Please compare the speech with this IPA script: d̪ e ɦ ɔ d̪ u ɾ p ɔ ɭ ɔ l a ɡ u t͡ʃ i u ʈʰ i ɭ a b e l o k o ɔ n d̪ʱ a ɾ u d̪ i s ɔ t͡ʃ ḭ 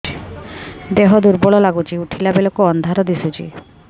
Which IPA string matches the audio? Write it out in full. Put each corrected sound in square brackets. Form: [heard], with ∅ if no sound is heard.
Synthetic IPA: d̪ e ɦ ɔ d̪ u ɾ [b] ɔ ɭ ɔ l a ɡ u t͡ʃ i u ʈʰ i [l] a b e l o k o ɔ n d̪ʱ a ɾ [ɔ] d̪ i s [u] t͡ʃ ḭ